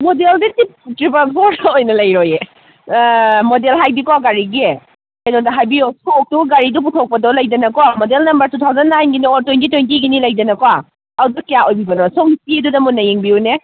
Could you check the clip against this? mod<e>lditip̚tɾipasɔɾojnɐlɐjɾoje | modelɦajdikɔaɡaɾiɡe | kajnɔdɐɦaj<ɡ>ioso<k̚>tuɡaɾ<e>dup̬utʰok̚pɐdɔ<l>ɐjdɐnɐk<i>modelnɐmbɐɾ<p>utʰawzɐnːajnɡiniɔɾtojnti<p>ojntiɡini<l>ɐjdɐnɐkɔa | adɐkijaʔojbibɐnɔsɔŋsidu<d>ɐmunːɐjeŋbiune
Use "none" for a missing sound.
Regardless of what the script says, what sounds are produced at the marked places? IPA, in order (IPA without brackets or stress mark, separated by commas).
e, b, k̚, i, l, a, t, t, l, d